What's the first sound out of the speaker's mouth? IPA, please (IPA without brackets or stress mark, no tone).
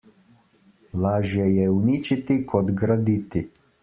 l